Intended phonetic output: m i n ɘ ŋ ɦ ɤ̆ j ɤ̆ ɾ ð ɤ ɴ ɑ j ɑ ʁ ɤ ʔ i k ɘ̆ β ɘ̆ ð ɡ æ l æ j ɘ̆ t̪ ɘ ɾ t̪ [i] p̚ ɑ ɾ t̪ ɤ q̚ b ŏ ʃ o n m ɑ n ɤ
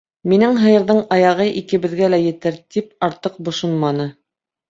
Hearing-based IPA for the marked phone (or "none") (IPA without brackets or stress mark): i